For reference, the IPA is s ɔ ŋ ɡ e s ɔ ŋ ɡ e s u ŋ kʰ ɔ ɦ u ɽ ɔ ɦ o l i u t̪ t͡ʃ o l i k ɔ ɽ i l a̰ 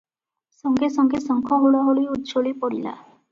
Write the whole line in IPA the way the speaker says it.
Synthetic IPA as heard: s ɔ ŋ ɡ e s ɔ ŋ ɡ e s ɔ ŋ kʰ ɔ ɦ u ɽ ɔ ɦ o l i u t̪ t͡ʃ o l i p ɔ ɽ i l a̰